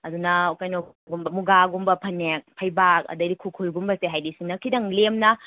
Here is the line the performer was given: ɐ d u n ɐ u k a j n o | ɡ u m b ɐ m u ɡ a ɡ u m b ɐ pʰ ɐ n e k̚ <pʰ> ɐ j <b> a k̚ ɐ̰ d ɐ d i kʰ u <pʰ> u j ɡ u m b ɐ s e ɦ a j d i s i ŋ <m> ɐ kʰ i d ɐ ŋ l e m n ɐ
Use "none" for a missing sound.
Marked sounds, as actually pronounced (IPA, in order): pʰ, b, kʰ, n

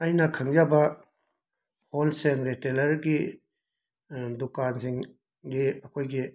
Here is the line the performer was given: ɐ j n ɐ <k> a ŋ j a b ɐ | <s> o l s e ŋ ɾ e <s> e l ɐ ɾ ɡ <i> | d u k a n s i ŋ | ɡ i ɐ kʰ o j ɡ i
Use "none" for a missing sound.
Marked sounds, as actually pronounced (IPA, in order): kʰ, h, t, i

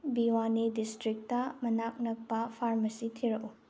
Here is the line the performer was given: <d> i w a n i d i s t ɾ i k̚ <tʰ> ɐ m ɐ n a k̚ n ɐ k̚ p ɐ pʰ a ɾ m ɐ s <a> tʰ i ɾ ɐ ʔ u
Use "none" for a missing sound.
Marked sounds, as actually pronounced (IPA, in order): b, t, i

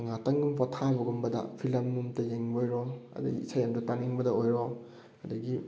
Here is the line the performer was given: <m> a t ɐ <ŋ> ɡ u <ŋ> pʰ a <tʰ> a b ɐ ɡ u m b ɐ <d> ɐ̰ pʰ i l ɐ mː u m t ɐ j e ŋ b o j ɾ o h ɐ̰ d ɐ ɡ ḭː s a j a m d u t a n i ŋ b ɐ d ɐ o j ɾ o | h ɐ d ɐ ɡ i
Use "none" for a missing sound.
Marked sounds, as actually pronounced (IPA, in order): ŋ, ŋ, m, tʰ, d

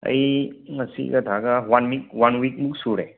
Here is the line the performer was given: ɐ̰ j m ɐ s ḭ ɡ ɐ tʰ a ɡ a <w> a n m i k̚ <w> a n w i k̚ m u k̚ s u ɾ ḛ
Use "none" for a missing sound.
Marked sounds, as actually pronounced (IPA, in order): w, w

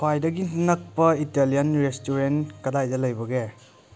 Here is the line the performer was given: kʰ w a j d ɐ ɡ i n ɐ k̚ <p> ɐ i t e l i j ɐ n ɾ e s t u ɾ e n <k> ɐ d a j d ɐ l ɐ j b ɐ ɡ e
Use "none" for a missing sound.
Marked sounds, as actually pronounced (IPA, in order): p, k

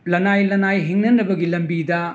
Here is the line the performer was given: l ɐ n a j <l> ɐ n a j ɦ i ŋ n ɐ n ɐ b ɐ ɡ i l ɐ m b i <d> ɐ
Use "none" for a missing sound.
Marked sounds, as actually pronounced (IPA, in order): l, d

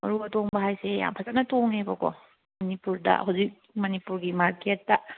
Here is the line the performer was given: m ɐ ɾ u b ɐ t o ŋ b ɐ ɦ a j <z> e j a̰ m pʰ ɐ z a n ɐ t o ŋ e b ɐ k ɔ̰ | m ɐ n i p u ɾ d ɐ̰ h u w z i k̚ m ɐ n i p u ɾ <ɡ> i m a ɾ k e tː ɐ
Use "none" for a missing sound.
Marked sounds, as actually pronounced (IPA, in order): s, ɡ

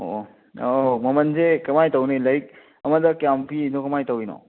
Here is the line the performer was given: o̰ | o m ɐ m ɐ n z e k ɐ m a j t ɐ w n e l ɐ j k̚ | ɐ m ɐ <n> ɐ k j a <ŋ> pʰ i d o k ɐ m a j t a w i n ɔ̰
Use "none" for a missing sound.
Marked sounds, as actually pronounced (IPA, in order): d, m

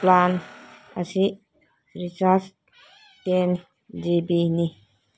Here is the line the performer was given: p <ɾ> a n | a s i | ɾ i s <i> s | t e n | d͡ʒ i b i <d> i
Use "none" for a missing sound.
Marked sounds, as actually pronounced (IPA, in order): l, a, n

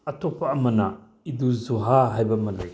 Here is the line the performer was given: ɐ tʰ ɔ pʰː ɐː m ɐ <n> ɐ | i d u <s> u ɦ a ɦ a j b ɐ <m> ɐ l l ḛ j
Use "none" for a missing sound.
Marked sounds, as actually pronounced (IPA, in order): n, z, m

